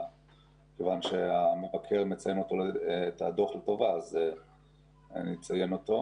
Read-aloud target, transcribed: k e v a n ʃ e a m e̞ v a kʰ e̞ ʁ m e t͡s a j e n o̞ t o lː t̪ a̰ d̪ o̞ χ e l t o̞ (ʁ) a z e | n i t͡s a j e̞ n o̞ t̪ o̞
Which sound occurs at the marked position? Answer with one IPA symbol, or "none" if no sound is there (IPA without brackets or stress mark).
v